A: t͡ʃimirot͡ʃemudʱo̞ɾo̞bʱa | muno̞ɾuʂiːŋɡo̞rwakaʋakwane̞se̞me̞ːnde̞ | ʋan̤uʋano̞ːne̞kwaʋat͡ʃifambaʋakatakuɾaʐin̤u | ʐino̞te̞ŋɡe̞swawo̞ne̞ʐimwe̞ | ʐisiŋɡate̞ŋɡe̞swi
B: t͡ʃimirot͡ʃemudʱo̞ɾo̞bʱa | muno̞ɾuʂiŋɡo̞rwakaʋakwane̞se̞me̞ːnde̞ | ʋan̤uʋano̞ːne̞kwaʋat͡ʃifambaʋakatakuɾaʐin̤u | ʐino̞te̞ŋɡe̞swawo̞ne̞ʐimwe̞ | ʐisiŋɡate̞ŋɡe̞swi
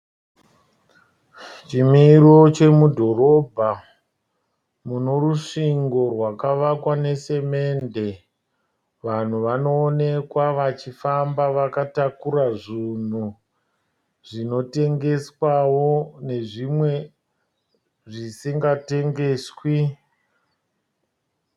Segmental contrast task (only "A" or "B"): B